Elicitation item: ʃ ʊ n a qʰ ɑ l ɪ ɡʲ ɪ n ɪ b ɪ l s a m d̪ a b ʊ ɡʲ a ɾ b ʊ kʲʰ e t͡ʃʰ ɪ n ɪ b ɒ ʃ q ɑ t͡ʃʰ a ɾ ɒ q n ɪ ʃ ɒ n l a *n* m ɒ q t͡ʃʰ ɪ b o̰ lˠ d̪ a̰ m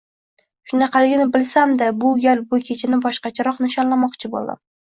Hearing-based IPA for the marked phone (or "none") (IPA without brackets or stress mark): none